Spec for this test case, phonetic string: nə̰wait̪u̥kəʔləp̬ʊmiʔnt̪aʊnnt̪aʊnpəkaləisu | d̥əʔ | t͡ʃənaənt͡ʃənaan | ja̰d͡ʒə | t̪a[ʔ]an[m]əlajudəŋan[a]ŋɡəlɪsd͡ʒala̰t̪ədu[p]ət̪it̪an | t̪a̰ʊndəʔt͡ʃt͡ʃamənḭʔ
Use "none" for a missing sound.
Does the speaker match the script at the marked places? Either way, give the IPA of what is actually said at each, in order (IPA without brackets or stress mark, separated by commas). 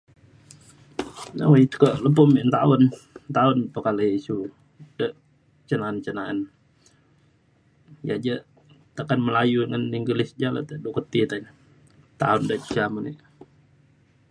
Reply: k, m, i, k